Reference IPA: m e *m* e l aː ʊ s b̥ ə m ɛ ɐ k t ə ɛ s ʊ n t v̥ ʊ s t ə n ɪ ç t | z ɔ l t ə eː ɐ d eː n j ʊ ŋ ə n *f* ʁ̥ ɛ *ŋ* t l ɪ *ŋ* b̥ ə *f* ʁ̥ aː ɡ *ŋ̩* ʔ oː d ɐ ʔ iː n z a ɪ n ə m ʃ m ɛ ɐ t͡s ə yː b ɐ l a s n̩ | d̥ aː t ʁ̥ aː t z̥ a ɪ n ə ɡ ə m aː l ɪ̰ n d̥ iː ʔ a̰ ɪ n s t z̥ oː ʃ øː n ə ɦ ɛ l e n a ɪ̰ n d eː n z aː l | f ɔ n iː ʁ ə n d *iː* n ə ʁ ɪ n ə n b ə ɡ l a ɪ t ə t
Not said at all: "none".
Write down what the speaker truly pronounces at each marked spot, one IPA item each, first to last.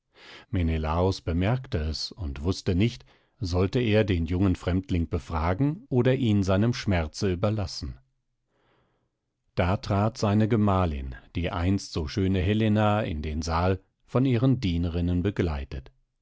n, f, m, ŋ, f, ŋ̩, iː

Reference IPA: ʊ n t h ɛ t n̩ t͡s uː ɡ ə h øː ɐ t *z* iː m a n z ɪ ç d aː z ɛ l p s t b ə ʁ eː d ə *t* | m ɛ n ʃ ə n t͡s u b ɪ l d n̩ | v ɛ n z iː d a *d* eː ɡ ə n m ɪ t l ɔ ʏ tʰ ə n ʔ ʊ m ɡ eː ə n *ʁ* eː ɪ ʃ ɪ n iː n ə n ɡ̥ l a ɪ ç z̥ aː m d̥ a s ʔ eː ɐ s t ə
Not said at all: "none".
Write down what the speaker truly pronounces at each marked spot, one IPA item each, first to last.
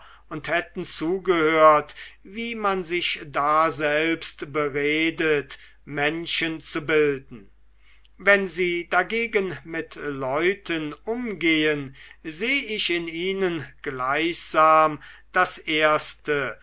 v, t, ɡ, z

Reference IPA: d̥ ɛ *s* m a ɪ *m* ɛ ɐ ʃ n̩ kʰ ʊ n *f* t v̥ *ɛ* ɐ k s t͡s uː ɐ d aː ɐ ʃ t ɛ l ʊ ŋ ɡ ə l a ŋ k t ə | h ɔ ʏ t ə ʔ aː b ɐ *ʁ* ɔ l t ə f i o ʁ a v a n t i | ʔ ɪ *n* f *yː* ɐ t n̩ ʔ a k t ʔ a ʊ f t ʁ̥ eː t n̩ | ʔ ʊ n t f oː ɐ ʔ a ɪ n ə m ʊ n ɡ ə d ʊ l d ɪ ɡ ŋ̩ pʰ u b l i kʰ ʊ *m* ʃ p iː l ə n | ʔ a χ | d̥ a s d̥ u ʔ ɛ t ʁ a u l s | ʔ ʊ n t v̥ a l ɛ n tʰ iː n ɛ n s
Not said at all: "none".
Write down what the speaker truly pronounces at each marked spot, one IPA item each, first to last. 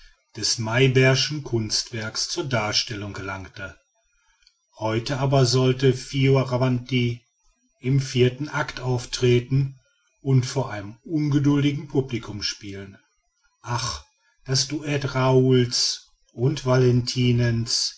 s, b, s, ɛ, z, m, iː, m

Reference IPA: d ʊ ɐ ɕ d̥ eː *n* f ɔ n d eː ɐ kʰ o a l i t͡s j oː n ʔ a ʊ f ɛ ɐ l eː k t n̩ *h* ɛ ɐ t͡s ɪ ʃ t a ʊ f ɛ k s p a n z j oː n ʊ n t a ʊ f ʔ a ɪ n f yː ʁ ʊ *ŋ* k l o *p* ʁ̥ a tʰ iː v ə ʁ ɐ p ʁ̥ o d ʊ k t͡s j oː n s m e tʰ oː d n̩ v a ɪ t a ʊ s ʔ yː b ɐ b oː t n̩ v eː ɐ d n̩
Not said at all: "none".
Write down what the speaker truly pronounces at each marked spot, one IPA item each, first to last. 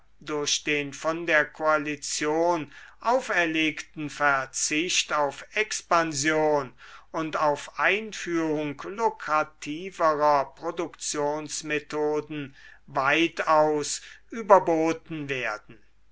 n, f, ŋ, k

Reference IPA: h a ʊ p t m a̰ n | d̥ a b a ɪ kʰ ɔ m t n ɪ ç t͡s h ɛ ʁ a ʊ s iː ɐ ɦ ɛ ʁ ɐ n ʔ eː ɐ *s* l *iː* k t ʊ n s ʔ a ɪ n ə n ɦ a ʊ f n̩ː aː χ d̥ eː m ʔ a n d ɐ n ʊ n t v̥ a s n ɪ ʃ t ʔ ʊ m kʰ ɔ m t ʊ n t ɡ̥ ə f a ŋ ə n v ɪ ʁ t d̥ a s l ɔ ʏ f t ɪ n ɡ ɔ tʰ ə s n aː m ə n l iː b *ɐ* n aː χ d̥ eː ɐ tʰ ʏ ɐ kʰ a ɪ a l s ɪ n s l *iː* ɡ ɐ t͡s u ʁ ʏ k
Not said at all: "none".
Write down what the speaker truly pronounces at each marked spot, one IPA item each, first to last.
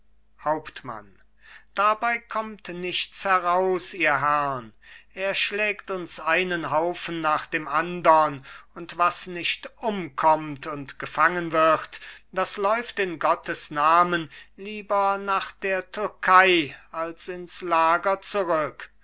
ʃ, ɛː, ɐ, aː

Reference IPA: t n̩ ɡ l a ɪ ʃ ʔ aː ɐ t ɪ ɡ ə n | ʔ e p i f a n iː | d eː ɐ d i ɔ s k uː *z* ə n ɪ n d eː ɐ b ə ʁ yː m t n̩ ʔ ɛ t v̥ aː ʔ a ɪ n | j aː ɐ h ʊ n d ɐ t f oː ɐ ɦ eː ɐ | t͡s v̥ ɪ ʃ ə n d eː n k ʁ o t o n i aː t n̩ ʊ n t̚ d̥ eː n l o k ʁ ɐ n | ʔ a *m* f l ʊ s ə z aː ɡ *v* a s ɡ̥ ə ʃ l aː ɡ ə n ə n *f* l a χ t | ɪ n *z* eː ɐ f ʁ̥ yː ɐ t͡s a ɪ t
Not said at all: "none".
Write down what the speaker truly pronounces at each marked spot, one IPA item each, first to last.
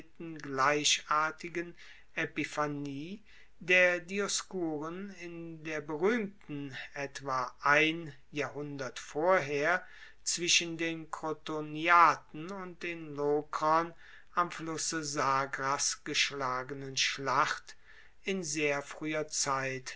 ʁ, m, ʁ, ʃ, z

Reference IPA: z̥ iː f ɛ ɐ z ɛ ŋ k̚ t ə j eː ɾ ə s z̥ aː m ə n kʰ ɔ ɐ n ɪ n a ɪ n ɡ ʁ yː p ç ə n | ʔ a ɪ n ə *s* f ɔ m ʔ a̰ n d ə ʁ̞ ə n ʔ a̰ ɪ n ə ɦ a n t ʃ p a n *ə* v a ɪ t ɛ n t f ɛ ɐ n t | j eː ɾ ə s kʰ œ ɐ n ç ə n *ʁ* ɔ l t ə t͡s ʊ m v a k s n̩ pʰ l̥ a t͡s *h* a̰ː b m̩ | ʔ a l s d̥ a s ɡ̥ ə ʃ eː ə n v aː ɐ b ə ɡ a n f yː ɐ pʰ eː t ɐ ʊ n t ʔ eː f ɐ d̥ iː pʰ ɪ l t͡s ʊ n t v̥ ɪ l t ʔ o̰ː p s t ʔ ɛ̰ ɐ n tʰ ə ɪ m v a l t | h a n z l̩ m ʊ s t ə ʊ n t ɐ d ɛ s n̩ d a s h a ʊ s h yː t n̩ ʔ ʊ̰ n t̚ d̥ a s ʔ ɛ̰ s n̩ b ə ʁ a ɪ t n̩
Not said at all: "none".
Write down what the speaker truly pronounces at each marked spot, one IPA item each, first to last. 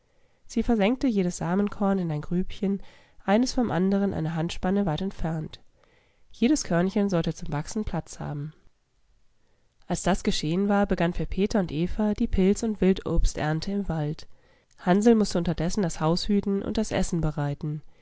s, ə, z, h

